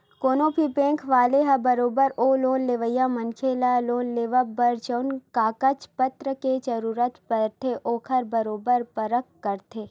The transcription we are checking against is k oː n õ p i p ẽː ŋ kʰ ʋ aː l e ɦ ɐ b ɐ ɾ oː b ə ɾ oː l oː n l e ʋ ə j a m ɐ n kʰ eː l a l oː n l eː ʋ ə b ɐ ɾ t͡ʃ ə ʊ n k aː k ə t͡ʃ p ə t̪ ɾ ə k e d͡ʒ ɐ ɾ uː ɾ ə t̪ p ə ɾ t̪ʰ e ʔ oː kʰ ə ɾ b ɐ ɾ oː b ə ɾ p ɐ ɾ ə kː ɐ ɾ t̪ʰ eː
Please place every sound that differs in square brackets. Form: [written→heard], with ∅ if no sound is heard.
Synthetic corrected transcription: k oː n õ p i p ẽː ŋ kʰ ʋ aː l e ɦ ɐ b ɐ ɾ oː b ə ɾ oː l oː n l e ʋ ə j a m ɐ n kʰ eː l a l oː n l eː ʋ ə b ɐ ɾ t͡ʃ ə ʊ n k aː k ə t͡ʃ p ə t̪ ɾ ə k e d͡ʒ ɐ ɾ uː ɾ ə t̪ p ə ɾ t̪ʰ e ʔ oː kʰ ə ɾ b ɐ ɾ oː b ə ɾ p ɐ ɾ ə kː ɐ ɾ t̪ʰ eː